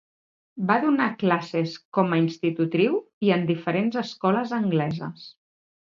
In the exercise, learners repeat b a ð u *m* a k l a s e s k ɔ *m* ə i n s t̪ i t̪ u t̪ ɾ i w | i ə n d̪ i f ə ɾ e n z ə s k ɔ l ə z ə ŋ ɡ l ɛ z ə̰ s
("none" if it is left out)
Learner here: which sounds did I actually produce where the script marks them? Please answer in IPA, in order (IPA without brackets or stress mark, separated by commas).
n, m